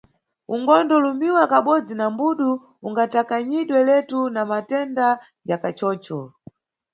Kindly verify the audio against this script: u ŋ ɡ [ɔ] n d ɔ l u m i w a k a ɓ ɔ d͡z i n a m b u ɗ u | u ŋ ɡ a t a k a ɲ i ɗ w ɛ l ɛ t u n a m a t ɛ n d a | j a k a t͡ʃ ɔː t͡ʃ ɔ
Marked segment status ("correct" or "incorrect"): correct